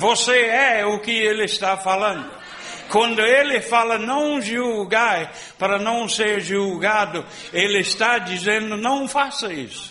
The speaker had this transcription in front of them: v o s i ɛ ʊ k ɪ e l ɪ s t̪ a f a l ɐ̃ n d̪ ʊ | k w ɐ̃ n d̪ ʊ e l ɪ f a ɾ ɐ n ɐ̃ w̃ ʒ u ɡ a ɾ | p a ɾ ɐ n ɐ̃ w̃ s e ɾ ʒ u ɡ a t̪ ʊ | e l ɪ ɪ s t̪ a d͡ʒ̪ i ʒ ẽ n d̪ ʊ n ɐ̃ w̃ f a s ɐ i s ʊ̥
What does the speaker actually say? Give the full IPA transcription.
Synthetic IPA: v o s e ɛ ʊ k ɪ e l ɪ s t̪ a f a l ɐ̃ n d̪ ʊ | k w ɐ̃ n d̪ ʊ e l ɪ f a l ɐ n ɐ̃ w̃ ʒ u ɡ a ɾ | p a ɾ ɐ n ɐ̃ w̃ s e ɾ ʒ u ɡ a d̪ ʊ | e l ɪ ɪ s t̪ a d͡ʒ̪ i z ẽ n d̪ ʊ n ɐ̃ w̃ f a s ɐ i s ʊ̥